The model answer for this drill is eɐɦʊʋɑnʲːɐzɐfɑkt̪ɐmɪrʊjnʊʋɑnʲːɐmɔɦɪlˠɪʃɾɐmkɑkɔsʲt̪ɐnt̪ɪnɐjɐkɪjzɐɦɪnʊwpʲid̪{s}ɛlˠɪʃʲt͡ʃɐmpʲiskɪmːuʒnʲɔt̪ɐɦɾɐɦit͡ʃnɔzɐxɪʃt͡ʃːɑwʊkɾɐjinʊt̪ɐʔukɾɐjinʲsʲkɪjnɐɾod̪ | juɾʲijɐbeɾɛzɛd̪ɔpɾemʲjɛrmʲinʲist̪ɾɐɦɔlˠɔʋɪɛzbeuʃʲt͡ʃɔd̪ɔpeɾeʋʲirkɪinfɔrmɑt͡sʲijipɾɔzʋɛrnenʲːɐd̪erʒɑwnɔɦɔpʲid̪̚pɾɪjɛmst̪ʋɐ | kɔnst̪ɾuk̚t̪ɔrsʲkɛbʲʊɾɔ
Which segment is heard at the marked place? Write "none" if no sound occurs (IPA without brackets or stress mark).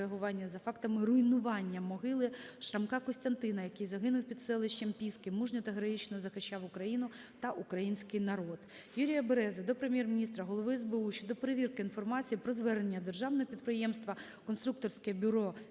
s